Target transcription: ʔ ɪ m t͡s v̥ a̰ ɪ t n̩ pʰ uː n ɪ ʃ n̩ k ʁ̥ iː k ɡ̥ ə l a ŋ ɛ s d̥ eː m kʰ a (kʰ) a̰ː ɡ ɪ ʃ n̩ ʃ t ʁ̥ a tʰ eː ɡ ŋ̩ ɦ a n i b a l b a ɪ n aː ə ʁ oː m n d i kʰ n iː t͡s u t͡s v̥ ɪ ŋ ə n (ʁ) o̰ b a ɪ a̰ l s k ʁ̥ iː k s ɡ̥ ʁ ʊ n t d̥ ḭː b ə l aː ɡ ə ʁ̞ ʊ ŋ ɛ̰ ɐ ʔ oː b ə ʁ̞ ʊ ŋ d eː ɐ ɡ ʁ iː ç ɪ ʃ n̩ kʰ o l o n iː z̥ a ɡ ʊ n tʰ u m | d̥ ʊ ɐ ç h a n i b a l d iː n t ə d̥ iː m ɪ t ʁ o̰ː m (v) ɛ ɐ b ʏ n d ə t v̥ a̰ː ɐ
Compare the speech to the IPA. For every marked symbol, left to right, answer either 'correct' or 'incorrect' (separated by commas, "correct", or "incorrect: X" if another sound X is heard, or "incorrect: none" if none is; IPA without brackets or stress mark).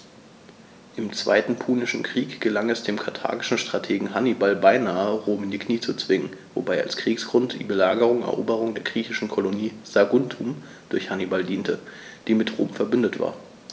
incorrect: tʰ, incorrect: v, incorrect: f